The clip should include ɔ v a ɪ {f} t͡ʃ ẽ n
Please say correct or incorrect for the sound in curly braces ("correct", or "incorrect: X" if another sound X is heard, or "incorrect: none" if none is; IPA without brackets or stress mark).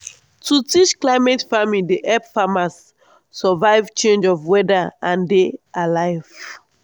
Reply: incorrect: v